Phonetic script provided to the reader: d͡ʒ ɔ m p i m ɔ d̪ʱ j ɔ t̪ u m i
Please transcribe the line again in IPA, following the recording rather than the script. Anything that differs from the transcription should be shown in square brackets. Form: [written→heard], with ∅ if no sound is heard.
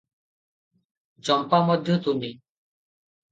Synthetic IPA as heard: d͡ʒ ɔ m p [i→a] m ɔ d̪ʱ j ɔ t̪ u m i